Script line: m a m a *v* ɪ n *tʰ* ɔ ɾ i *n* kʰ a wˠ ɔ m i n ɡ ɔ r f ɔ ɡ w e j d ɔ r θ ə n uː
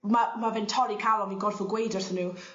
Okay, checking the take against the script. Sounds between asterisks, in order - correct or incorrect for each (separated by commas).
correct, correct, incorrect